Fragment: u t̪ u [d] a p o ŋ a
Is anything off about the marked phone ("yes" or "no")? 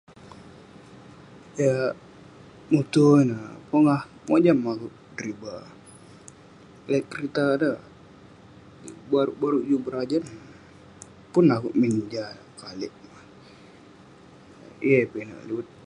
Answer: yes